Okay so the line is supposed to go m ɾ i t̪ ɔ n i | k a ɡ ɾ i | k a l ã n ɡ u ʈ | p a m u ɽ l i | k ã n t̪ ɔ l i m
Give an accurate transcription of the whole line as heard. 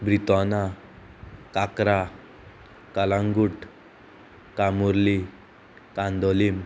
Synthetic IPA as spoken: b ɾ i t̪ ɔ n a | k a k ɾ a | k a l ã ŋ ɡ u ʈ | k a m u ɾ l i | k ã n d̪ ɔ l i m